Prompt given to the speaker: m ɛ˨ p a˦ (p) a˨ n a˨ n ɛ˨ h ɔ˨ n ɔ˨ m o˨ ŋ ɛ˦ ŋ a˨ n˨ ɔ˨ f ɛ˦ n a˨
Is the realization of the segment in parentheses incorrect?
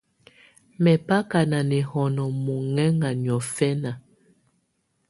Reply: yes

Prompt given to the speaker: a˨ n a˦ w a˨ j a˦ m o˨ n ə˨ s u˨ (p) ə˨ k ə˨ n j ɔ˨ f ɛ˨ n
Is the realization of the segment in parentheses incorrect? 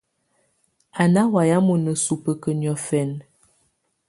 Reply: no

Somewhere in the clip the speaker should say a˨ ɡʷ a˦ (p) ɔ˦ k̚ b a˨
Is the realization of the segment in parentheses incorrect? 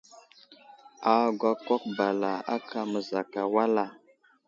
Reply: yes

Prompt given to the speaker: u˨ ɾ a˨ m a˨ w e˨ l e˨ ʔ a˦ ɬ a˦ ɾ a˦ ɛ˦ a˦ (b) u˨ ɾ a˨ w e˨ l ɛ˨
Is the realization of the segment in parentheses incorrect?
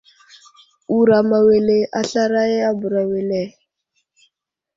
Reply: no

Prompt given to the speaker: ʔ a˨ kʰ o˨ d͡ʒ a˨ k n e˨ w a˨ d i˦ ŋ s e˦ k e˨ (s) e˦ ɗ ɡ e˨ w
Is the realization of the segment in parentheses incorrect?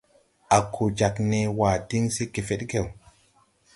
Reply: yes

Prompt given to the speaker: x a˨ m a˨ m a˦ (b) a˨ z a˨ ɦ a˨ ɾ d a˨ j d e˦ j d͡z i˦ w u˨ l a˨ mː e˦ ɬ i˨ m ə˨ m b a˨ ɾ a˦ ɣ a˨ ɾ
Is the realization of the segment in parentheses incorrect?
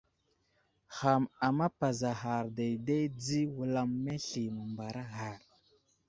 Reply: yes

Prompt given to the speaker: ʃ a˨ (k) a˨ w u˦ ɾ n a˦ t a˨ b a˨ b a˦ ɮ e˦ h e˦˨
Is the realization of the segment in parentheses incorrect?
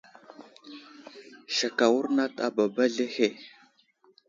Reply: no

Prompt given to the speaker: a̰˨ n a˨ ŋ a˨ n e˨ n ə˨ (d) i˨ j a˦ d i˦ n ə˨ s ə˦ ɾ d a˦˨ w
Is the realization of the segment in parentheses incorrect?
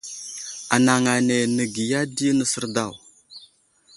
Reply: yes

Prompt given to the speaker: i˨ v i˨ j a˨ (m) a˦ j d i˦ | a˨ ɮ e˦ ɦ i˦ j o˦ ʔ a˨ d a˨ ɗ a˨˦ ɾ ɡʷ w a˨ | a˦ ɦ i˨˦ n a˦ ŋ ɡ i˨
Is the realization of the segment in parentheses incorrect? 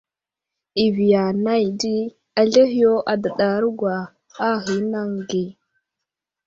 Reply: yes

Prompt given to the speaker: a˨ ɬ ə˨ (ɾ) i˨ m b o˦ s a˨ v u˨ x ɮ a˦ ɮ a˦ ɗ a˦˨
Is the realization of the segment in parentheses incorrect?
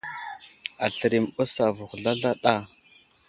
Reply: no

